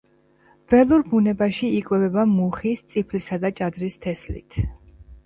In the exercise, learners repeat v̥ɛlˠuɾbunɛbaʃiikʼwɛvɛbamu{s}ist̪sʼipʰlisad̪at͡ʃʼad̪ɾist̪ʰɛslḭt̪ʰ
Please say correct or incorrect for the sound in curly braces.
incorrect: χ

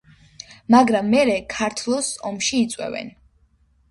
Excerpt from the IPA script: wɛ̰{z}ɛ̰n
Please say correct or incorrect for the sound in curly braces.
incorrect: v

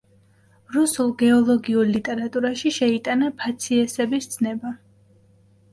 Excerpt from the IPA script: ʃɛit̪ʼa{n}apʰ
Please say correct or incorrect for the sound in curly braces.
correct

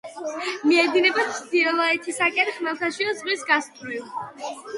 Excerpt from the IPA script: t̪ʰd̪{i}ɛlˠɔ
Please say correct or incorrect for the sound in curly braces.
correct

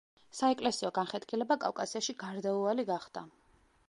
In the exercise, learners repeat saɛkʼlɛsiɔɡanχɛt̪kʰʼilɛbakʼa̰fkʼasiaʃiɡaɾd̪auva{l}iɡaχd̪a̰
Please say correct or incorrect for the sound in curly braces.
correct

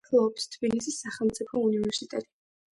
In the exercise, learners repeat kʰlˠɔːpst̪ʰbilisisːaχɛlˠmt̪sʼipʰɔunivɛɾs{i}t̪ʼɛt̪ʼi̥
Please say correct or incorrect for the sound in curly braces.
correct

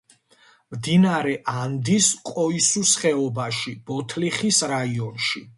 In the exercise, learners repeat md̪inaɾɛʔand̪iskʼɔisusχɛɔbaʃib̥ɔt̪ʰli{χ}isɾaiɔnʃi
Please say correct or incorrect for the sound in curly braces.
correct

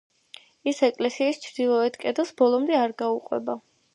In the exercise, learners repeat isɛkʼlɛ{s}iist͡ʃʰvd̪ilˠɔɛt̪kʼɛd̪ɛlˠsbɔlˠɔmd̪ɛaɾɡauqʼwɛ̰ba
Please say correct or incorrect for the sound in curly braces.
correct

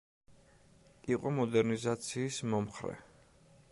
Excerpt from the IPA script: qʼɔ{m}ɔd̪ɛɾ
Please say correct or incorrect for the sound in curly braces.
correct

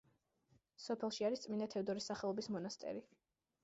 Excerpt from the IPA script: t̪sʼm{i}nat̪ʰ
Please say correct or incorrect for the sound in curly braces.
correct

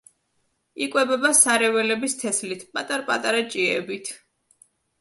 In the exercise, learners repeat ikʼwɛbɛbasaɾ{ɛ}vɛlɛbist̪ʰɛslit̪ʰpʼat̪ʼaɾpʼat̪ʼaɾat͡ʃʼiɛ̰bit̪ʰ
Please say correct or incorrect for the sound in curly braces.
correct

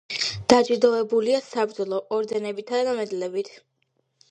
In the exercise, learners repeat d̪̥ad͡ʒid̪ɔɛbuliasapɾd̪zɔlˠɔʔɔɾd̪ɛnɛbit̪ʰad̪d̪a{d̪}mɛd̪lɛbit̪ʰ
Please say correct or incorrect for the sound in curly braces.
incorrect: none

